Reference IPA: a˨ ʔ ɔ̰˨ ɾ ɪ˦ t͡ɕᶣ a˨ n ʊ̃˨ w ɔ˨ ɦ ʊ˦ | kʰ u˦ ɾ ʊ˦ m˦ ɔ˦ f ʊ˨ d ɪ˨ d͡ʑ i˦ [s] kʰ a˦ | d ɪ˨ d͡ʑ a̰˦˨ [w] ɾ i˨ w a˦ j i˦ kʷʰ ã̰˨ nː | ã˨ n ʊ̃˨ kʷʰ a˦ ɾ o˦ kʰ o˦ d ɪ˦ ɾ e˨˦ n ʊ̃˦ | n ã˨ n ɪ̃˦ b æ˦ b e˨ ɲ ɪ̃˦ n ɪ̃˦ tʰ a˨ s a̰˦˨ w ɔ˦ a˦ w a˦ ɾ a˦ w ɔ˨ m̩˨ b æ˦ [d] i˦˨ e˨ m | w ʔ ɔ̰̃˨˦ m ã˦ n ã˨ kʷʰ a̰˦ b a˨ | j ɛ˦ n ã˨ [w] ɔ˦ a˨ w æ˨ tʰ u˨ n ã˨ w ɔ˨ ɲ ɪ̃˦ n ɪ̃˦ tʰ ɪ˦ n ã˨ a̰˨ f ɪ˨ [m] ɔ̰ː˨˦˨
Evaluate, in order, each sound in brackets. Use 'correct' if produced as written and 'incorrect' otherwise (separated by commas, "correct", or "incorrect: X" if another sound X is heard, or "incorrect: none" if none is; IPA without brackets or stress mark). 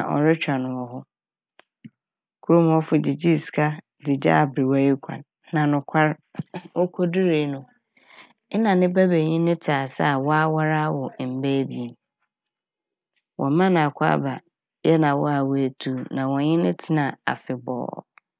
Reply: correct, incorrect: b, incorrect: b, correct, incorrect: b